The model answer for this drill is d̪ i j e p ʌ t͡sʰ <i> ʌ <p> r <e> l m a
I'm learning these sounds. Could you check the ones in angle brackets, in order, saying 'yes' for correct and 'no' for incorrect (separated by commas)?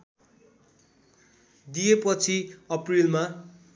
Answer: yes, yes, no